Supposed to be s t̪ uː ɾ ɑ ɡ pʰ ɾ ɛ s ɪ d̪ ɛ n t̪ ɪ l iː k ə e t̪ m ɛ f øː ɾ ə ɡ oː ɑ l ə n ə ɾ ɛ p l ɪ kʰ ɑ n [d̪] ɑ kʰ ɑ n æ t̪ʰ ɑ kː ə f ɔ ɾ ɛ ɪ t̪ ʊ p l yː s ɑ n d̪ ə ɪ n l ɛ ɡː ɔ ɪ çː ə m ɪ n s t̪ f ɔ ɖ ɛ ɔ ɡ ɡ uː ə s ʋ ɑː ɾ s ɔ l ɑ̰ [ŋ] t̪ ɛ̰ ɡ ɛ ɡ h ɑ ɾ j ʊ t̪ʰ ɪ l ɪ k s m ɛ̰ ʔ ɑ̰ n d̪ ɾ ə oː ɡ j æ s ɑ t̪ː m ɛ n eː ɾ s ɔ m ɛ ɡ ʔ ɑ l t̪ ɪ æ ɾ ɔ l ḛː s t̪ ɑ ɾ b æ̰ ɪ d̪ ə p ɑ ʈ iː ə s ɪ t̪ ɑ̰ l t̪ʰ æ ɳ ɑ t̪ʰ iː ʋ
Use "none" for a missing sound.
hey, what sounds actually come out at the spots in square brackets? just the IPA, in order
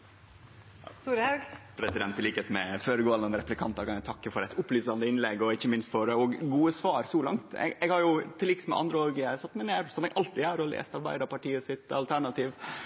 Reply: t̪, ŋ

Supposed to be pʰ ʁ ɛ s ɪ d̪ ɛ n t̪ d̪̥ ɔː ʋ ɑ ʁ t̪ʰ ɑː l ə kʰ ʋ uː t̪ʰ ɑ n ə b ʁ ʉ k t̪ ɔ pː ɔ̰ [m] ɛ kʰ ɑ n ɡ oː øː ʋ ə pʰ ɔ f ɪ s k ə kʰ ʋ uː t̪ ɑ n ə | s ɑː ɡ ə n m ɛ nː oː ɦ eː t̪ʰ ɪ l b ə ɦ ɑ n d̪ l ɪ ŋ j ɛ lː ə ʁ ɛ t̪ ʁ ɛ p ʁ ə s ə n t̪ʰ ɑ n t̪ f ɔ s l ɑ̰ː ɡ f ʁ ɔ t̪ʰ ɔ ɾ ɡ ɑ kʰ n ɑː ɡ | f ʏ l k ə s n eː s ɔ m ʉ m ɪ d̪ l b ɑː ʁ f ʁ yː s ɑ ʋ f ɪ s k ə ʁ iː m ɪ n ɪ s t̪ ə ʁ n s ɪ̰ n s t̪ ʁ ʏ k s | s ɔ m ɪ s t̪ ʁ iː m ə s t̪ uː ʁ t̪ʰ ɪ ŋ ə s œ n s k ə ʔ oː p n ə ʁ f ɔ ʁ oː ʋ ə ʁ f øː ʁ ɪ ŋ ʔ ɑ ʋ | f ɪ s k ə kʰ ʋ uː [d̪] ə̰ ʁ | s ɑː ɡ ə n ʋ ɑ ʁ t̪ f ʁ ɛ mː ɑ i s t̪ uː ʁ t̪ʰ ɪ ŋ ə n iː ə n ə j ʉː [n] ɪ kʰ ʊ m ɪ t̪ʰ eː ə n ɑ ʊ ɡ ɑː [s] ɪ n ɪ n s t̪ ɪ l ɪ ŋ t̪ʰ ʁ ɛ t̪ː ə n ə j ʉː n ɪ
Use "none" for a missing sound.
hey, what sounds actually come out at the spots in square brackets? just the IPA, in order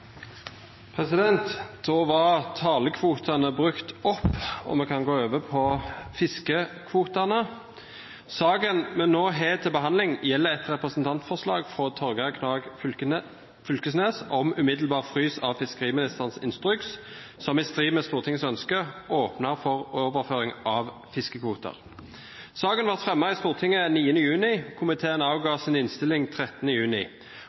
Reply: m, t̪, n, s

